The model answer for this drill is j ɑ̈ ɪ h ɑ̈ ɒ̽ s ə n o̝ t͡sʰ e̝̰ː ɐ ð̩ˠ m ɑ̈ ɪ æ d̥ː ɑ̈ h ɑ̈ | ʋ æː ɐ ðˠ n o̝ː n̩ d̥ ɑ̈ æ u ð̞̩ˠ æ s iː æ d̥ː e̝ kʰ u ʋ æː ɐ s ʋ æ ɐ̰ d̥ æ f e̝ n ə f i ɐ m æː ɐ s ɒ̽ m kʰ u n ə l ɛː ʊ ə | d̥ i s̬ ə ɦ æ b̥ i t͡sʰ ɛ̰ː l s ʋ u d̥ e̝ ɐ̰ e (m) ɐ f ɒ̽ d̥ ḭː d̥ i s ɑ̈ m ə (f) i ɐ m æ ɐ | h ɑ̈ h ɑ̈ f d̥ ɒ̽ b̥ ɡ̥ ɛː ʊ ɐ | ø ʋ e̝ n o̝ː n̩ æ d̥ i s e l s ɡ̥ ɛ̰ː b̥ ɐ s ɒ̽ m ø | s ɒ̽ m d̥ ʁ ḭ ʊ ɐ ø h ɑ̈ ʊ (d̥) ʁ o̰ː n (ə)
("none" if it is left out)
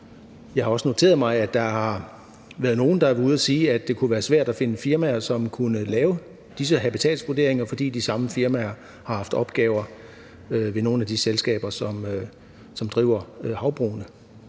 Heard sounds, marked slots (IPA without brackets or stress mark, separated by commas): ŋ, f, b̥, ə